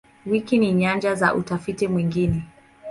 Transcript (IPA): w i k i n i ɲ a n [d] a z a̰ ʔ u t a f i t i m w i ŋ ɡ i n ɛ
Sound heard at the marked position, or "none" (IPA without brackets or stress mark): d͡ʒ